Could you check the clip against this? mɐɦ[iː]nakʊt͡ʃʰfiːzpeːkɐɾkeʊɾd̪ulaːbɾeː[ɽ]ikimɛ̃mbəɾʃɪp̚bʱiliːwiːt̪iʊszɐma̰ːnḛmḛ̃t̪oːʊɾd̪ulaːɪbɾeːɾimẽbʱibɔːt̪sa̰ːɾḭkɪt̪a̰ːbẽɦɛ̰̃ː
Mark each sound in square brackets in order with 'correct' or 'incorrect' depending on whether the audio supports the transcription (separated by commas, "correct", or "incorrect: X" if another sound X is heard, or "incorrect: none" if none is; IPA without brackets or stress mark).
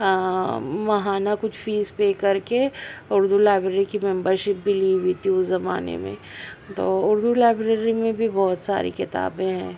incorrect: aː, incorrect: ɾ